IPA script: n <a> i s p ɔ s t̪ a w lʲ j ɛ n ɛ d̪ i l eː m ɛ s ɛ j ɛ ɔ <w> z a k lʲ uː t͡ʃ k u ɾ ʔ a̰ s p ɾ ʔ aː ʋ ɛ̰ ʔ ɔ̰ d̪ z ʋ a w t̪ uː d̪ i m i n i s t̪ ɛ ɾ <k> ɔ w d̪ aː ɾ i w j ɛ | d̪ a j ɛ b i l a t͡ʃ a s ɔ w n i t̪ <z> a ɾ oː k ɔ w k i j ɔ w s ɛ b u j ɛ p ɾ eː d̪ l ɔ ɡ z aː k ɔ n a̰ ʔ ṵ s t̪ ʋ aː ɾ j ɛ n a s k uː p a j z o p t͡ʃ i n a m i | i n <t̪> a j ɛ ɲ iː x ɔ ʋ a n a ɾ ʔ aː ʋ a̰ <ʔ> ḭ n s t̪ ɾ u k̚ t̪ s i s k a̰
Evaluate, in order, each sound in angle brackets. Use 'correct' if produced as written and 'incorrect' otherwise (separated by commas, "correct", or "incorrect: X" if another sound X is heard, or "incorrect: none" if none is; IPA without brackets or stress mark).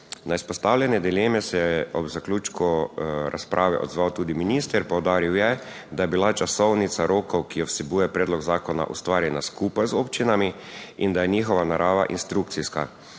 correct, incorrect: b, incorrect: p, incorrect: s, incorrect: d̪, correct